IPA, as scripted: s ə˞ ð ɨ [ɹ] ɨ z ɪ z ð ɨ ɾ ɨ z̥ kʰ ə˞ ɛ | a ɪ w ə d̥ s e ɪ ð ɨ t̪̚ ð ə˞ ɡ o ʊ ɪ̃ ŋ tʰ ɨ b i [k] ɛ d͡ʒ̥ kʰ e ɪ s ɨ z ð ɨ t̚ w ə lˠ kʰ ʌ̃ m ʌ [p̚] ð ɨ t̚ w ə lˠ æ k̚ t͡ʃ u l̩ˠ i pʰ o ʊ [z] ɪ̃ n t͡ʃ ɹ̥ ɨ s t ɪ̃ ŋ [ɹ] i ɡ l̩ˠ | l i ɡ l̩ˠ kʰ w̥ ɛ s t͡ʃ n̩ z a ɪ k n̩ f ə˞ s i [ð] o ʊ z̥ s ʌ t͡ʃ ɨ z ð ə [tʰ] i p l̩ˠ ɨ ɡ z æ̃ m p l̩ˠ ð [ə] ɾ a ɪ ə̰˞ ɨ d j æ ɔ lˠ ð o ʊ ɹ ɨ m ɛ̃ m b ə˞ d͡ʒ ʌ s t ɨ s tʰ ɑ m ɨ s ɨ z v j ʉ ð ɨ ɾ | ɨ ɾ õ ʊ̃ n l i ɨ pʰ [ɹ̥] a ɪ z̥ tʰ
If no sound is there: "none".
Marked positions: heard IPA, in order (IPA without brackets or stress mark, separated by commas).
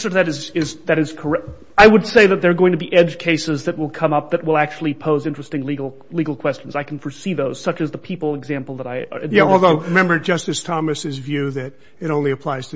ɾ, ʔ, p̚, z, l, ð, pʰ, ə, l̥